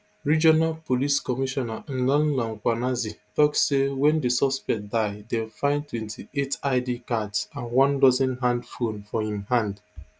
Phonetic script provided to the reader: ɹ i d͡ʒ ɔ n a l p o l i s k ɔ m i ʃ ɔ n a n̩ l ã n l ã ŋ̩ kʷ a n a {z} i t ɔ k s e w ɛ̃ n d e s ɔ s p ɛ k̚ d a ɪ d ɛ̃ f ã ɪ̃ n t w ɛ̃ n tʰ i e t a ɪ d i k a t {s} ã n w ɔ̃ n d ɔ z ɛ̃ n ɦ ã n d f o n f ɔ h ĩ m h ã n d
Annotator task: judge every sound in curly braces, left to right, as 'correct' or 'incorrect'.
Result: correct, correct

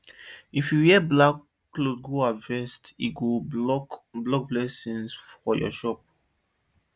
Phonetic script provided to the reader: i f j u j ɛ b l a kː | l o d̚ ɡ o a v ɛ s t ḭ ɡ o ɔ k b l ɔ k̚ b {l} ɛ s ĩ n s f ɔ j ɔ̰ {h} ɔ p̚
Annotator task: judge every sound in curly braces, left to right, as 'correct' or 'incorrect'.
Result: correct, incorrect

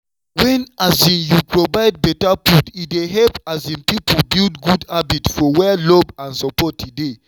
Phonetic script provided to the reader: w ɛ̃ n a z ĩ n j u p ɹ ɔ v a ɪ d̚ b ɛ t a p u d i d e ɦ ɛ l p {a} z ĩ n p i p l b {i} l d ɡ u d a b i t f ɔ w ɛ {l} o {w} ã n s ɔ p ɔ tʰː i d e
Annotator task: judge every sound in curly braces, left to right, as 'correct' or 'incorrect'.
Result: correct, correct, correct, incorrect

